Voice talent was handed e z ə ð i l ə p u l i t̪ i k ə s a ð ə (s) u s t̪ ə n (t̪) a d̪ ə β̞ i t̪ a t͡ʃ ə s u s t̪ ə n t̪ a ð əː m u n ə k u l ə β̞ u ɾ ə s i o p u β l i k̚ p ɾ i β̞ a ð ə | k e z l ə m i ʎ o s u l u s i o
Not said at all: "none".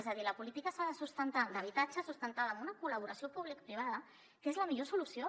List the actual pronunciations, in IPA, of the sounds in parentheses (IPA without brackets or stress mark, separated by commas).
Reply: s, t̪